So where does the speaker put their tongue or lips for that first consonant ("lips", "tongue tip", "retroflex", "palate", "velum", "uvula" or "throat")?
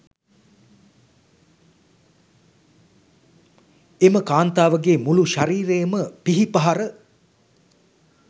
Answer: lips